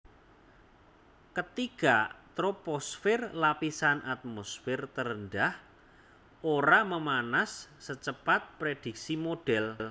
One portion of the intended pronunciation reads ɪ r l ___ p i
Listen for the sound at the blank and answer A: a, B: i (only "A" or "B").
A